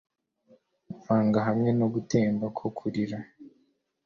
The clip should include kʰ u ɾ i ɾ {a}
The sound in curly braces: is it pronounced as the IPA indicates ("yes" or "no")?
yes